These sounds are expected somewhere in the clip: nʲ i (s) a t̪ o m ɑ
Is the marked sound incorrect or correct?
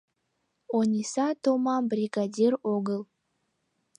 correct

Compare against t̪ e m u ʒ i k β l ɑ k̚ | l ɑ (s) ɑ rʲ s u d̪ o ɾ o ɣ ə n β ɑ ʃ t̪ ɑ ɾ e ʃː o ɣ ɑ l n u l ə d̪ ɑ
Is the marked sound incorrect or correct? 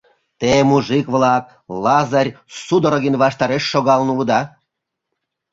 incorrect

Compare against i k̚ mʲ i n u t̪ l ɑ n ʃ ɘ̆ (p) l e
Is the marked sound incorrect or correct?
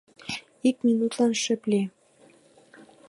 correct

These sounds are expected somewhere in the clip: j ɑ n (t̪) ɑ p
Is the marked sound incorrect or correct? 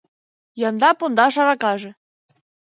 incorrect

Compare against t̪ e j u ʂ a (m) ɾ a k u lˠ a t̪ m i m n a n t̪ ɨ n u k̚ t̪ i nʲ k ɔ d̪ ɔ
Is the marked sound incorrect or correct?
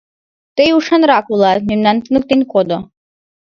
incorrect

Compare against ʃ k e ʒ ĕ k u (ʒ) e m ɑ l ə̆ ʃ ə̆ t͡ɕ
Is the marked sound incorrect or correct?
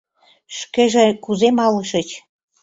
incorrect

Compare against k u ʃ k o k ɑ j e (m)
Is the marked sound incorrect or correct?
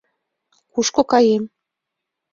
correct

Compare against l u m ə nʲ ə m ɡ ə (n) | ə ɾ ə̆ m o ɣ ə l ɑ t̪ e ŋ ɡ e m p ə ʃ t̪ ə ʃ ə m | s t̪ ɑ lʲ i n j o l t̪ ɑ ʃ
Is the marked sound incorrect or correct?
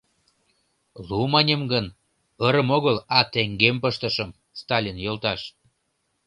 correct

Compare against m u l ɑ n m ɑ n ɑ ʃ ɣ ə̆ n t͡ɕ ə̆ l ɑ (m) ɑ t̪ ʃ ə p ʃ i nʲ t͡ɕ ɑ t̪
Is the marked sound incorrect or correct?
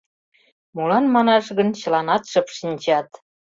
incorrect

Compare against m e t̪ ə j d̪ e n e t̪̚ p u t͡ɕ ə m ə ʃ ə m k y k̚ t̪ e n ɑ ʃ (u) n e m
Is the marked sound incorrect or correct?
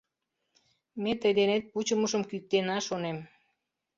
incorrect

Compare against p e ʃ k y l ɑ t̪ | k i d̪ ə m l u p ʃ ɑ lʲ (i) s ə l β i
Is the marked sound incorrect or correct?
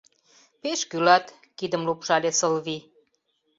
incorrect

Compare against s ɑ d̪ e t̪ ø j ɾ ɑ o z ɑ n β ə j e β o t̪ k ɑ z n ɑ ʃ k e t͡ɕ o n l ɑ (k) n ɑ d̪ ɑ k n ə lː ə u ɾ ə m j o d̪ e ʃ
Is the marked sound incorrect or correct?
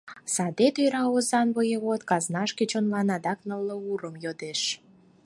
incorrect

